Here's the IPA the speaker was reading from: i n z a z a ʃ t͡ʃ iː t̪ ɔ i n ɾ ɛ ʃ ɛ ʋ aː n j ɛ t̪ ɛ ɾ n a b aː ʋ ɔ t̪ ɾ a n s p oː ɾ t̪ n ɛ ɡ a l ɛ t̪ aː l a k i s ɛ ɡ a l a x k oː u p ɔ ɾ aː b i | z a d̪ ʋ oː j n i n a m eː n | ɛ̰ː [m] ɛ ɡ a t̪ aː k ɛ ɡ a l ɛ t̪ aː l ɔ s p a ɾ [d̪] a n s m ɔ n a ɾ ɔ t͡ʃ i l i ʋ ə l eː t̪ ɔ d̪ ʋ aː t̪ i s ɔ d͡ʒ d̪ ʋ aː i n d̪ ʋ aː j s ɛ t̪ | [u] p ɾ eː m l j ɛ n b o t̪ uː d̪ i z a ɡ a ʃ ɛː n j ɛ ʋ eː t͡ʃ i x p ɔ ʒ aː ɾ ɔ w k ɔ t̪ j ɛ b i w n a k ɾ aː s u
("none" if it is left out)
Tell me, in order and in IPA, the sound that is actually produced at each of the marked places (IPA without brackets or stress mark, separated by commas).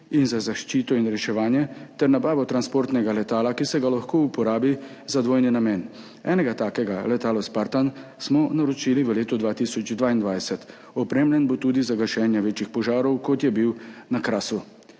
n, t̪, ɔ